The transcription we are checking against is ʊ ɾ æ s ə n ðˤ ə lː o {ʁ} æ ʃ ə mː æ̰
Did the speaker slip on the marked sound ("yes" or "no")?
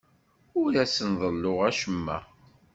no